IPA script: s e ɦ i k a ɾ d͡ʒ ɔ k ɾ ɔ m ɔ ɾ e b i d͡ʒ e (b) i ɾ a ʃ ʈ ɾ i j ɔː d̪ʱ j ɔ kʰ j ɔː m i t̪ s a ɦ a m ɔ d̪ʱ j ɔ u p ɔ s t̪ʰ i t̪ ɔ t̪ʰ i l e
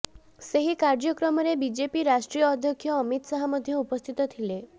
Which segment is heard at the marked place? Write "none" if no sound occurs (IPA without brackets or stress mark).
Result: p